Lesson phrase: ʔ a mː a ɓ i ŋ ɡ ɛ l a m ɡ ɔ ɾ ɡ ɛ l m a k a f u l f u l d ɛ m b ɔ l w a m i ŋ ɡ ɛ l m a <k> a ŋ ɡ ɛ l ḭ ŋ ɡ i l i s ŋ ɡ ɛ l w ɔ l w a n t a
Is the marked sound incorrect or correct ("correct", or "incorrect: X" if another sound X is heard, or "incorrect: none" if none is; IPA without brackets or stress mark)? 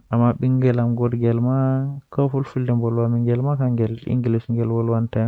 correct